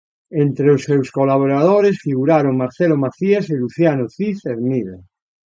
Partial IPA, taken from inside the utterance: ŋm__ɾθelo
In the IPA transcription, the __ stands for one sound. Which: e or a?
a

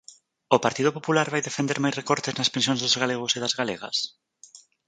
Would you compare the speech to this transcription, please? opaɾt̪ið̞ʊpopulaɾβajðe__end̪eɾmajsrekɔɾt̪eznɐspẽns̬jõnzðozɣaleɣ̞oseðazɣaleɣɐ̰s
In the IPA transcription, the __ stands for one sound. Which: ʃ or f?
f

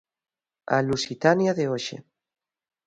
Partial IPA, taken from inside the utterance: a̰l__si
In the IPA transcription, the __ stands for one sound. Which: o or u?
u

